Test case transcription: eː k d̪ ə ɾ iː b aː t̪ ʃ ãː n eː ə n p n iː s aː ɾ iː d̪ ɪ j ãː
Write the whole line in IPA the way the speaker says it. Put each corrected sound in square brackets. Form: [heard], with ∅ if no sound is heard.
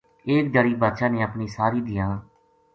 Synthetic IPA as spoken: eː k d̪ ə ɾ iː b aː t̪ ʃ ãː n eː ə [∅] p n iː s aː ɾ iː d̪ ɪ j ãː